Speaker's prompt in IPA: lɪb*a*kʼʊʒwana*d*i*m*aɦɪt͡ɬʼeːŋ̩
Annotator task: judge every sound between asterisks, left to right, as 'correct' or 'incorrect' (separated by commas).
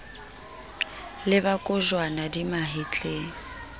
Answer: correct, correct, correct